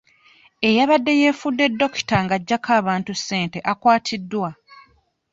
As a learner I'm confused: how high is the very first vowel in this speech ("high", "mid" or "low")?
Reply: mid